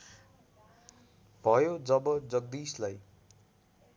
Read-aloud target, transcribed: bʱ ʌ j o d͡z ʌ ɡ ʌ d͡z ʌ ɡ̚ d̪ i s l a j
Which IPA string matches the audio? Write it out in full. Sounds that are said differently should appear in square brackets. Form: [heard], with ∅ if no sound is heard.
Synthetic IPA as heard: bʱ ʌ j o d͡z ʌ [b] ʌ d͡z ʌ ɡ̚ d̪ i s l a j

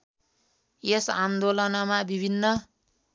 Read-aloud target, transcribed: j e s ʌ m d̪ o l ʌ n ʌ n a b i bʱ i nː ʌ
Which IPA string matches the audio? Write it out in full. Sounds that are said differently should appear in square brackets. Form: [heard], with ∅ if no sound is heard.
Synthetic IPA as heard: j e s [a] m d̪ o l ʌ n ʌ [m] a b i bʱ i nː ʌ

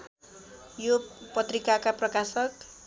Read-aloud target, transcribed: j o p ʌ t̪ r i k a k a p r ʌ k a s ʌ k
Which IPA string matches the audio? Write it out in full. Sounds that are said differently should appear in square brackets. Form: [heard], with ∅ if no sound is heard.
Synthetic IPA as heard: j o p ʌ t̪ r i k a k a p r ʌ k a s ʌ k

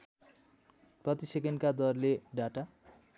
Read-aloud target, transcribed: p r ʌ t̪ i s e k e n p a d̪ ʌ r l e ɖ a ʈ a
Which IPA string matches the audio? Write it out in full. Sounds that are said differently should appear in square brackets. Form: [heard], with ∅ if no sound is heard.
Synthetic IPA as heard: p r ʌ t̪ i s e k e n [k] a d̪ ʌ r l e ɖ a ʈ a

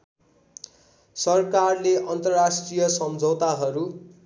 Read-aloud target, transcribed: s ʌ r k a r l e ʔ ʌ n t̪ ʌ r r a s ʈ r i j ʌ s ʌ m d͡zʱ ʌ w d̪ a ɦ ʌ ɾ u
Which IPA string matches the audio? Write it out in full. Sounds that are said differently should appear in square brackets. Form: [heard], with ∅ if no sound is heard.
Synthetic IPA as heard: s ʌ r k a r l e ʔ ʌ n t̪ ʌ r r a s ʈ r i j ʌ s ʌ m d͡zʱ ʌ w [t̪] a ɦ ʌ ɾ u

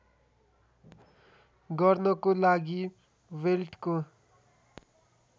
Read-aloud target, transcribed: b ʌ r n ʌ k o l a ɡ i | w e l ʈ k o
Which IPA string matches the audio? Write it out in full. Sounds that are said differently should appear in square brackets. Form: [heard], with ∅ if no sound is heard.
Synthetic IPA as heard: [ɡ] ʌ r n ʌ k o l a ɡ i | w e l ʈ k o

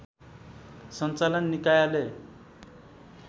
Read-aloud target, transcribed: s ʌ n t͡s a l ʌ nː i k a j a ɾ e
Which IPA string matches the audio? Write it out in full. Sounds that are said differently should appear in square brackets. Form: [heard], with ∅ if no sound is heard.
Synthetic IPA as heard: s ʌ n t͡s a l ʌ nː i k a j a [l] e

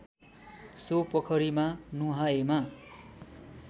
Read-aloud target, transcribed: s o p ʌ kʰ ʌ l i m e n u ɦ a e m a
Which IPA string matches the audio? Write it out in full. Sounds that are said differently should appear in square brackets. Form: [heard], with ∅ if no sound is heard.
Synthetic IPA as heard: s o p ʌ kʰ ʌ [ɾ] i m [a] n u ɦ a e m a

